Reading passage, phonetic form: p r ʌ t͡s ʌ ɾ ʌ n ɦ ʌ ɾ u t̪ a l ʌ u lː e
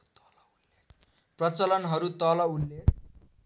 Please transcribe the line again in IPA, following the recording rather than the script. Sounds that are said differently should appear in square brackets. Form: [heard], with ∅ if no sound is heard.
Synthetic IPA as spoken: p r ʌ t͡s ʌ [l] ʌ n ɦ ʌ ɾ u t̪ [ʌ] l ʌ u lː e